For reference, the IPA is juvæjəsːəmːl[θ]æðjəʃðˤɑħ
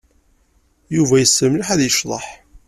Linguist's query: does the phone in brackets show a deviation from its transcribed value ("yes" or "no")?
yes